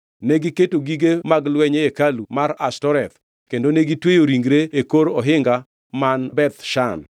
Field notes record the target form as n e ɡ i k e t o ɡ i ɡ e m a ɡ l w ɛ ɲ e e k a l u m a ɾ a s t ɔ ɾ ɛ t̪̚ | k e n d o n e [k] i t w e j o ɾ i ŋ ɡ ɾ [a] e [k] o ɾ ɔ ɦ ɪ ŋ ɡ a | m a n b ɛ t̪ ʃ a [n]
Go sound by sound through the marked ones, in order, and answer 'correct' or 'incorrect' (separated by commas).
incorrect, incorrect, correct, correct